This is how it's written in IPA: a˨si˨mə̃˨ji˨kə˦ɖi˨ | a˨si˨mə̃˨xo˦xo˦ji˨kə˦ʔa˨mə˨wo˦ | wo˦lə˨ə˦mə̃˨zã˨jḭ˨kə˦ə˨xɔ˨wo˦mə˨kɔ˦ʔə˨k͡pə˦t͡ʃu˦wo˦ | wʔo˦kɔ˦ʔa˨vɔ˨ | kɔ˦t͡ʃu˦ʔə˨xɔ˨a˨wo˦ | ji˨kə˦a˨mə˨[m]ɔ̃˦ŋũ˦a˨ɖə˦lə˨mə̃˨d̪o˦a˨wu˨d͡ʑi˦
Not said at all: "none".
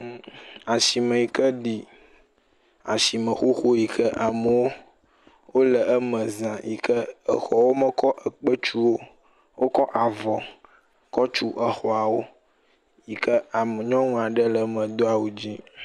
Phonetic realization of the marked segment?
ɲ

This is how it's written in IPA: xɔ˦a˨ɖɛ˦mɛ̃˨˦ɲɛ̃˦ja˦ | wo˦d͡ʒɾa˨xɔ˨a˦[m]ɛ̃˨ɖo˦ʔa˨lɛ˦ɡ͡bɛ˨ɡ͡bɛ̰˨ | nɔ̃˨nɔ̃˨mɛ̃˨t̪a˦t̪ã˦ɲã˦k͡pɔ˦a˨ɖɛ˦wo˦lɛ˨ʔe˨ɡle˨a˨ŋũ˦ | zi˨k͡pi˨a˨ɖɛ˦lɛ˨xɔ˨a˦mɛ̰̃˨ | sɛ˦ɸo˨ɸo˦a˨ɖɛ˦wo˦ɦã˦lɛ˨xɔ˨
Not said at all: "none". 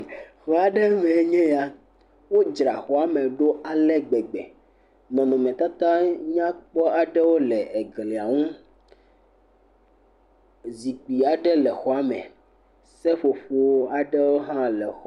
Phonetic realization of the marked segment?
m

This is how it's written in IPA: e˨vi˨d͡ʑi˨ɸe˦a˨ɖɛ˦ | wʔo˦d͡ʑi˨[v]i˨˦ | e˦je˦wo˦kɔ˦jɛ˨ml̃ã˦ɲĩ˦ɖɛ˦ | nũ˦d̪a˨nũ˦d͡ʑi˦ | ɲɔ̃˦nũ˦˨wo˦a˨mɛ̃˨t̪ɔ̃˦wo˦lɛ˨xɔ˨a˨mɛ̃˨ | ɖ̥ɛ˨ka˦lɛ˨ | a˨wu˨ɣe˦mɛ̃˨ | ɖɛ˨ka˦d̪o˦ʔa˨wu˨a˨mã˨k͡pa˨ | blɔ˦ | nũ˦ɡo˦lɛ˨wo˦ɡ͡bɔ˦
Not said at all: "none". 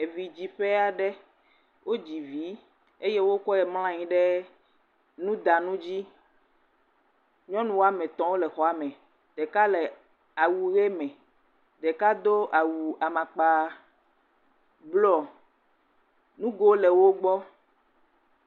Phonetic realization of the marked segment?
v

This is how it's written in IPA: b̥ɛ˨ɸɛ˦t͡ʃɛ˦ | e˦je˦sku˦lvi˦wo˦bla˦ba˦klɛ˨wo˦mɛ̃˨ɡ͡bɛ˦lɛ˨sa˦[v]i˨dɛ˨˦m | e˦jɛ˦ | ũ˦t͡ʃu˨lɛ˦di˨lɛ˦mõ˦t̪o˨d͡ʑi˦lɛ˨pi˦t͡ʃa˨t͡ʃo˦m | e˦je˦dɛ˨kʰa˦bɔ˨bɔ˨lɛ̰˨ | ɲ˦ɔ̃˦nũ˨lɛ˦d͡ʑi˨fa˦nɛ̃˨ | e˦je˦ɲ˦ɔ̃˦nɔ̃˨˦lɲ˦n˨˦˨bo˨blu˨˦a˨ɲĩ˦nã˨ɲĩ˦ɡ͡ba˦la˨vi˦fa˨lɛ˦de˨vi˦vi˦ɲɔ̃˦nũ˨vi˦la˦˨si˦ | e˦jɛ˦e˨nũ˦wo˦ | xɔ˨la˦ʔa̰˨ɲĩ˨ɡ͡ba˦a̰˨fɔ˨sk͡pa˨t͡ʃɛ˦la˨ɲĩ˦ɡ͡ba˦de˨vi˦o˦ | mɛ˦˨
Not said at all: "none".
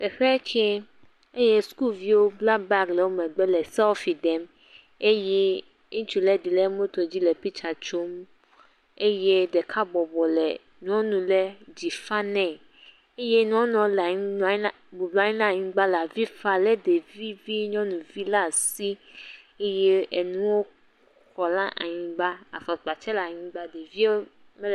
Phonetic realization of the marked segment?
f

